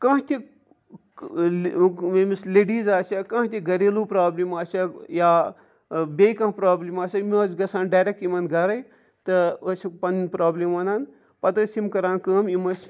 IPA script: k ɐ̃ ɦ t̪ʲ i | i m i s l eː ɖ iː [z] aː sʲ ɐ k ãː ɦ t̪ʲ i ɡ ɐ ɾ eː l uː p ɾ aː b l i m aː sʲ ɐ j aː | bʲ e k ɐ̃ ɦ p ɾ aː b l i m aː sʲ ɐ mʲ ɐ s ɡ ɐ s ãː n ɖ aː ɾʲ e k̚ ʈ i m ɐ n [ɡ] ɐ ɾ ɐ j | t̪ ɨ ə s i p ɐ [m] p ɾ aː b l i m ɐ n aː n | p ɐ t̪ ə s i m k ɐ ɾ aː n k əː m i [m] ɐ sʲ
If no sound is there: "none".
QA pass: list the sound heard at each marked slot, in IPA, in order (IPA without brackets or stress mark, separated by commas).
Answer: z, ɡ, n, m